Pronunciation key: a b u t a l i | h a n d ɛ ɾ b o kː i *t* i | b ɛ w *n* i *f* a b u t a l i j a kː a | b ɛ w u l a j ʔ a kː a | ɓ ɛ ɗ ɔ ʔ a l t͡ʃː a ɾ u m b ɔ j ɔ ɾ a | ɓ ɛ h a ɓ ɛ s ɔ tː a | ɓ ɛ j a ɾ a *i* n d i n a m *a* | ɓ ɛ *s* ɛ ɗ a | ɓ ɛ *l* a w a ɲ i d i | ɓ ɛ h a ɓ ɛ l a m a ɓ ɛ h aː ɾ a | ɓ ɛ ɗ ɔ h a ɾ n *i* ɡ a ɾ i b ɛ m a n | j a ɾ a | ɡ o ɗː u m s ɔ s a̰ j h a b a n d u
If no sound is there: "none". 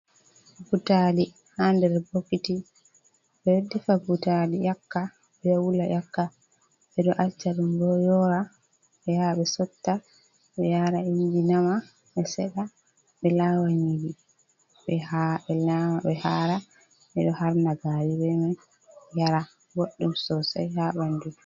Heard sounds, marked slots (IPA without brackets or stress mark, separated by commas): t, d, f, i, a, s, l, a